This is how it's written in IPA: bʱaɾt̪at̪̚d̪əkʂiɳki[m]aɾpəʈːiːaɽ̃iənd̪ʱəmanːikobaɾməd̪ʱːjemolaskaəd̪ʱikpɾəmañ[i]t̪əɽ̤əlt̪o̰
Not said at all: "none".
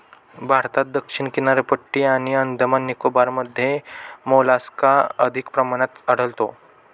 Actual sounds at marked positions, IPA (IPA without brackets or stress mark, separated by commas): n, a